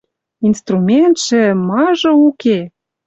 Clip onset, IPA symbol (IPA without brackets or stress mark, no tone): i